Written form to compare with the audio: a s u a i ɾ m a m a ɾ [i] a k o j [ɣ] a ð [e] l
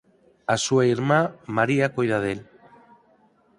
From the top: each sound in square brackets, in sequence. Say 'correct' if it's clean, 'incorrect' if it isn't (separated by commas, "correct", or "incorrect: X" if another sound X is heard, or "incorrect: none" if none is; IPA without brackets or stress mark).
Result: correct, incorrect: ð, correct